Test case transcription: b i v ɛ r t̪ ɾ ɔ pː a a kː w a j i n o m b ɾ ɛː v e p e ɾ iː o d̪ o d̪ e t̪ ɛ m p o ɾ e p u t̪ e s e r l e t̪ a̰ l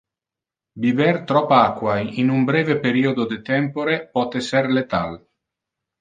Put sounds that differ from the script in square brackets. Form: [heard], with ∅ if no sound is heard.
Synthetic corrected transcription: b i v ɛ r t̪ ɾ ɔ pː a a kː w a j i n [u] m b ɾ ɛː v e p e ɾ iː o d̪ o d̪ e t̪ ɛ m p o ɾ e p [ɔ] t̪ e s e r l e t̪ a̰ l